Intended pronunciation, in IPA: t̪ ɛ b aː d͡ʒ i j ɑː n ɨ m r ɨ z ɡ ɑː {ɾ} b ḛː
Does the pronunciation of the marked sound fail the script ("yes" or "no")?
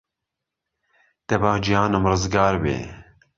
no